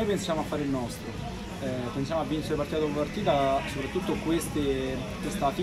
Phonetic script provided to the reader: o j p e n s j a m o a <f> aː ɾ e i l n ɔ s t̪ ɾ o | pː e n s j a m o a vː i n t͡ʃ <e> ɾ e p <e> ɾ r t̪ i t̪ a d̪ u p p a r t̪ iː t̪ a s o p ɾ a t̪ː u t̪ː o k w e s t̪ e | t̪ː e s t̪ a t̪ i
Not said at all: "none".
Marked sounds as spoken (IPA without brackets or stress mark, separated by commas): fː, e, a